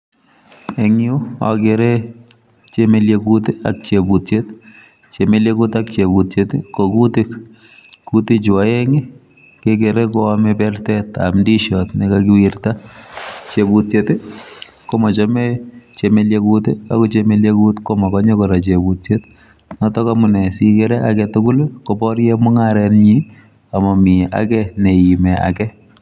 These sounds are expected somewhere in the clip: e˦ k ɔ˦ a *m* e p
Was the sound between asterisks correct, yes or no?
yes